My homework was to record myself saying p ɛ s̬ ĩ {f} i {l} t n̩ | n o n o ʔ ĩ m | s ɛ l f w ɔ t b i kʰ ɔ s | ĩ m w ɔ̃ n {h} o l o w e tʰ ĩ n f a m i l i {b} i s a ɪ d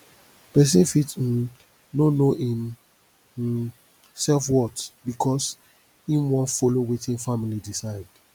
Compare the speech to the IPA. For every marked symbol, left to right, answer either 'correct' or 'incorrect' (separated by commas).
correct, incorrect, incorrect, incorrect